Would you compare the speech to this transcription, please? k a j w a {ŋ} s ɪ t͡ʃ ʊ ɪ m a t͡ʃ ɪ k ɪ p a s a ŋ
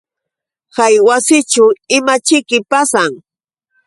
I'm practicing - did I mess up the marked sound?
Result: yes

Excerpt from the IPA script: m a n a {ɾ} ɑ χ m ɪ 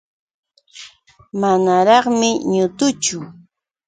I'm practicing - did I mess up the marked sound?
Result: no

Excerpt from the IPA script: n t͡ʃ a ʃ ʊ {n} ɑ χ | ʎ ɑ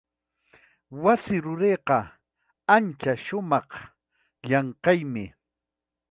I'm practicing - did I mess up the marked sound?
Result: yes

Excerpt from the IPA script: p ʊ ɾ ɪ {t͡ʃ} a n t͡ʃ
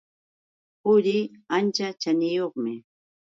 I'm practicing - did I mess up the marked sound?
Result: yes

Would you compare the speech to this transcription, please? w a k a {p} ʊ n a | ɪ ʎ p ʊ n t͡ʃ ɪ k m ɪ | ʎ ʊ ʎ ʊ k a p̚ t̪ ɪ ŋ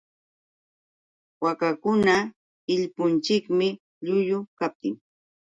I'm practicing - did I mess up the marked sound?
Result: yes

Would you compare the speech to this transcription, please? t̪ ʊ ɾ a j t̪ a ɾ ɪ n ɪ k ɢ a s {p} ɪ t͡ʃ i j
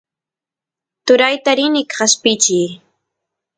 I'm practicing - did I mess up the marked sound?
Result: no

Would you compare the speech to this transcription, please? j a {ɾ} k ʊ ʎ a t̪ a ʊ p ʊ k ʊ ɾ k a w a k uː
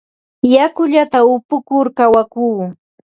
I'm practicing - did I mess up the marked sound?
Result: yes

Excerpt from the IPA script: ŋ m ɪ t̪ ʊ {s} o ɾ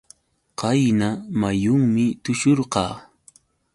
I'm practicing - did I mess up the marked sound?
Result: yes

